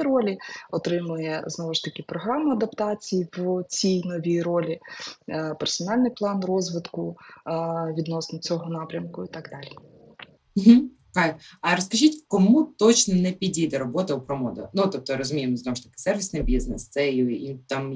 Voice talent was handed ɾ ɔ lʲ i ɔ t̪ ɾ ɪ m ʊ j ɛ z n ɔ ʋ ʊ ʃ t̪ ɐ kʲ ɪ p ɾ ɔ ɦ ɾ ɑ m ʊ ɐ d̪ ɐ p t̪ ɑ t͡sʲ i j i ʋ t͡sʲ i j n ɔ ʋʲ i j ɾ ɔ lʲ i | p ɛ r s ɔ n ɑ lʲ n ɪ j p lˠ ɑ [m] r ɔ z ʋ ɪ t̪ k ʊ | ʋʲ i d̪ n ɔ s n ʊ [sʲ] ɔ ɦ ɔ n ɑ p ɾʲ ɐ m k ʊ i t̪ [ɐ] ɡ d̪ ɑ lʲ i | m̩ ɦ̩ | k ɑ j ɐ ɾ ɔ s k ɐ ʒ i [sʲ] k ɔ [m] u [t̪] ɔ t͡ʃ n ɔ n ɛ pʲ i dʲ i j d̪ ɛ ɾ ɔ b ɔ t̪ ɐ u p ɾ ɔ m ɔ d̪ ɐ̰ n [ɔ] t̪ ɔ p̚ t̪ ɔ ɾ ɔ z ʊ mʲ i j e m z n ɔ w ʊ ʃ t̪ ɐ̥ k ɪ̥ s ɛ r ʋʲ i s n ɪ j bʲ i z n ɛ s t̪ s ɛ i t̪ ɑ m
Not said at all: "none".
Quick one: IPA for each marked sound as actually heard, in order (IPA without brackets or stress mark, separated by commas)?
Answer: n, t͡sʲ, ɑ, tʲ, m, t̪, u